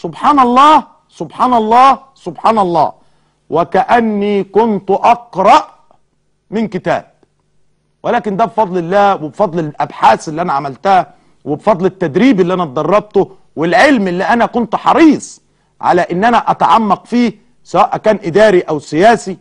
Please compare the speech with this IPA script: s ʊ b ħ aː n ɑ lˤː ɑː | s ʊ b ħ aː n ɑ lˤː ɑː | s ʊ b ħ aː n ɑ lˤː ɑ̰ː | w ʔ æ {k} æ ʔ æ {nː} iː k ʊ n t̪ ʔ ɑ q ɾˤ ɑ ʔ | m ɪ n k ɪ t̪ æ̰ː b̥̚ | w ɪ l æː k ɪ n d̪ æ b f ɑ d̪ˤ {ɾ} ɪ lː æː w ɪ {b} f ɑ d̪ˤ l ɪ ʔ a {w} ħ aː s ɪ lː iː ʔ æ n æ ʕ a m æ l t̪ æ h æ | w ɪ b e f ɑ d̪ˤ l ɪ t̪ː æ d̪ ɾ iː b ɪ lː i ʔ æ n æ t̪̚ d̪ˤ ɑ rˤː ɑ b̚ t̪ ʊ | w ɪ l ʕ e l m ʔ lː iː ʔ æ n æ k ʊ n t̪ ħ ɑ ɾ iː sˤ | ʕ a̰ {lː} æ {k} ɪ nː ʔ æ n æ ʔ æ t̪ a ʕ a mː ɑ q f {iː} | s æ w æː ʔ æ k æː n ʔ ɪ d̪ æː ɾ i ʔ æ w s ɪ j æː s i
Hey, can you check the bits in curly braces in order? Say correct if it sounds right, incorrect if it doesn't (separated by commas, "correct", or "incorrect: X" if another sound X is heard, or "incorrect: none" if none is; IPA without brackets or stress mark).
correct, correct, incorrect: l, correct, incorrect: b, incorrect: l, incorrect: ʔ, correct